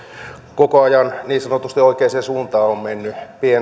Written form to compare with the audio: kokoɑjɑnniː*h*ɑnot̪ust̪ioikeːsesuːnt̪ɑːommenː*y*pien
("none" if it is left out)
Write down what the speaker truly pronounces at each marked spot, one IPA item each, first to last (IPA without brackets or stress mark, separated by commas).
s, y